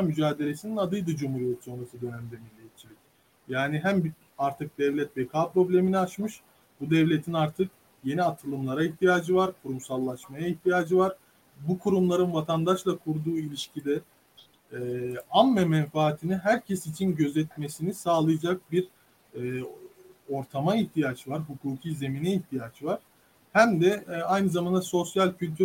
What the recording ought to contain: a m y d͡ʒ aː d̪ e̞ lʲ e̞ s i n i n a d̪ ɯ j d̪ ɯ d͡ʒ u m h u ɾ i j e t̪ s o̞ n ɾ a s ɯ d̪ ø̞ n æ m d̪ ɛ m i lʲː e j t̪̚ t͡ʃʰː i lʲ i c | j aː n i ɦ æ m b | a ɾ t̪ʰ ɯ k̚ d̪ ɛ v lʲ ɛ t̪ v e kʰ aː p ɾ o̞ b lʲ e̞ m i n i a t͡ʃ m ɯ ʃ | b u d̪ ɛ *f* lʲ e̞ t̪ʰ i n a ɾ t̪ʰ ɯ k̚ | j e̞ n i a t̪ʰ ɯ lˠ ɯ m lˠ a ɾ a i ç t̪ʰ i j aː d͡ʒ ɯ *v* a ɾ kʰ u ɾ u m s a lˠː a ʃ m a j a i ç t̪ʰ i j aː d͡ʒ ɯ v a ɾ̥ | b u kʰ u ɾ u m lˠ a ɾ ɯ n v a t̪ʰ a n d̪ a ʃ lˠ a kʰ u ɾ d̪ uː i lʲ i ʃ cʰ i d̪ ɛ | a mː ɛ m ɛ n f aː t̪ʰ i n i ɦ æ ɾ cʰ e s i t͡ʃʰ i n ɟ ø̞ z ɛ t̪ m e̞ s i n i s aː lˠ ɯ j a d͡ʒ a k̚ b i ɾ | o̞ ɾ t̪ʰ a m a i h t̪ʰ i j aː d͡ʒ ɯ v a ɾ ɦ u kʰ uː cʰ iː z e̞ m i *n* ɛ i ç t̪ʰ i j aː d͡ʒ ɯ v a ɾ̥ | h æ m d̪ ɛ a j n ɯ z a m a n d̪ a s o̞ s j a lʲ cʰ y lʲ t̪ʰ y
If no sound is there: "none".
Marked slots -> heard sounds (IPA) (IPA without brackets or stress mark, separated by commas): v, v, n